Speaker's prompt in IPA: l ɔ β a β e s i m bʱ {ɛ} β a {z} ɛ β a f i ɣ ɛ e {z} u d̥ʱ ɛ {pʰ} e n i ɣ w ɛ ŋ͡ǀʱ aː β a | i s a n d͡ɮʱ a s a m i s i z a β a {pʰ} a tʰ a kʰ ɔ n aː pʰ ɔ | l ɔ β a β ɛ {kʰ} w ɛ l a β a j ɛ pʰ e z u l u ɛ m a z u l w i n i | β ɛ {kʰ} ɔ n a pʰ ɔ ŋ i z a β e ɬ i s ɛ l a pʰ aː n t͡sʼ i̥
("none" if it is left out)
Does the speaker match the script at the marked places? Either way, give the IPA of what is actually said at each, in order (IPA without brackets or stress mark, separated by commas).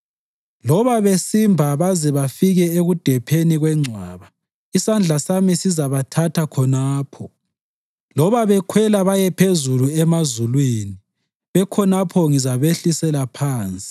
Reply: a, z, ɣ, pʰ, tʰ, kʰ, kʰ